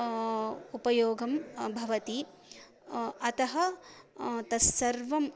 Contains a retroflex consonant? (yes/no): no